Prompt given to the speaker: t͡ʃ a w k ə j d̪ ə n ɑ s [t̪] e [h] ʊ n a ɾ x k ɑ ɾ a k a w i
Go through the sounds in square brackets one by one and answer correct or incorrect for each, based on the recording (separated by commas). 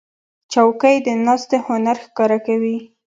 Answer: correct, correct